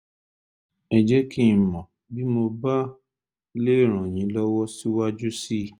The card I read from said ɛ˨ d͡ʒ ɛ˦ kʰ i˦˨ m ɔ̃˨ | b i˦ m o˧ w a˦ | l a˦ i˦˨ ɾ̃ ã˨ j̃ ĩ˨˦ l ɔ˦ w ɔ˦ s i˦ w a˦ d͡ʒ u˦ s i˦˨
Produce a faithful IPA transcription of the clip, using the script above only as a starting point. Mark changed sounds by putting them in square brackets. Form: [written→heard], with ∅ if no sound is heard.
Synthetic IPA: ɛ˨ d͡ʒ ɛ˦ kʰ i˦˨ m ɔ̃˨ | b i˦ m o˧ [w→b] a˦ | l [a˦→e˦] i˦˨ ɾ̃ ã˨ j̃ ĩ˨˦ l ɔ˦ w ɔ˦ s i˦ w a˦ d͡ʒ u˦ s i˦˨